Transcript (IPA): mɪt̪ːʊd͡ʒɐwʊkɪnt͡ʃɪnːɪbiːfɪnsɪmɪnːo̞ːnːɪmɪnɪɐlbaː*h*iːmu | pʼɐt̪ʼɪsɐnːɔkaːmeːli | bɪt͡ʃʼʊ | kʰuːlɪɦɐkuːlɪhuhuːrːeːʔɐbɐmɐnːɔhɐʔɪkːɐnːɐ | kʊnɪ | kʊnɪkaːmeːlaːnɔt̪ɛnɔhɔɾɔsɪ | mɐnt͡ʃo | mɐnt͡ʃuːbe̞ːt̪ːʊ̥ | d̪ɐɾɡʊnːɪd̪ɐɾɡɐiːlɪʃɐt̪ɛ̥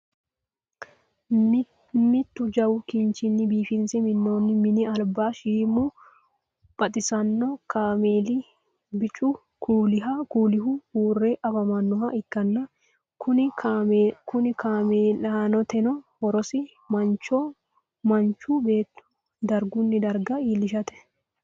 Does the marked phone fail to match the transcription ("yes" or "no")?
yes